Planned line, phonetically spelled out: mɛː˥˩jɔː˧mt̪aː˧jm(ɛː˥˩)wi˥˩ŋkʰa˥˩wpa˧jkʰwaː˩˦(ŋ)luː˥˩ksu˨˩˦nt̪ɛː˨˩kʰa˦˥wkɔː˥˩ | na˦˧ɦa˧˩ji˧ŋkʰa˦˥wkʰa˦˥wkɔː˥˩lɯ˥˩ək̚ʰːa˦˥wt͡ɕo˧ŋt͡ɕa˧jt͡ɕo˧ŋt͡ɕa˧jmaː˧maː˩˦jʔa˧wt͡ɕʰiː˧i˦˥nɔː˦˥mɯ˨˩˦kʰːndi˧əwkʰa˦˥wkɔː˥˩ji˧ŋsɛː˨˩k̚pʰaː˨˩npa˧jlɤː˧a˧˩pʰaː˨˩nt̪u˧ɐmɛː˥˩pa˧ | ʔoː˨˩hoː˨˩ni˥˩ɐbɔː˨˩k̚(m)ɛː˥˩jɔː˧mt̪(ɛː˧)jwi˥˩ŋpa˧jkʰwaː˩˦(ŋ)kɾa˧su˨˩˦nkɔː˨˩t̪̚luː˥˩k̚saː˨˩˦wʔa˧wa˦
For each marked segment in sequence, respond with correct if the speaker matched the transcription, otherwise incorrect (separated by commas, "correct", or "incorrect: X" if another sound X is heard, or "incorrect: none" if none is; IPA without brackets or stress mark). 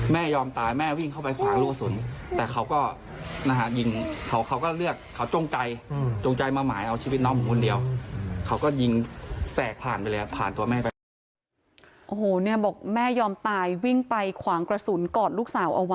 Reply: correct, correct, correct, incorrect: aː˧, correct